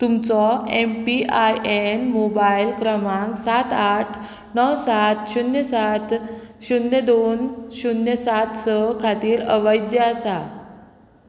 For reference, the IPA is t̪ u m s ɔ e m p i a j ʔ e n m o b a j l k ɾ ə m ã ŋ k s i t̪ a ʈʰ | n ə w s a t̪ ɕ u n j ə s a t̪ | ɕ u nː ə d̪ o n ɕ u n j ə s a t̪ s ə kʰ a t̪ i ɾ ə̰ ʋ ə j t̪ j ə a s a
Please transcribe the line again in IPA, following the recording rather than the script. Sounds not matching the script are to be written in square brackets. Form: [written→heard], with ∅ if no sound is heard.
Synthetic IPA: t̪ u m [s→t͡s] ɔ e m p i a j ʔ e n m o b a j l k ɾ ə m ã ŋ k s [i→a] t̪ a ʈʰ | n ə w s a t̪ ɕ u n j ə s a t̪ | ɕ u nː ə d̪ o n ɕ u n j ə s a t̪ s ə kʰ a t̪ [i→iː] ɾ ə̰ ʋ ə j [t̪→d̪] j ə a s a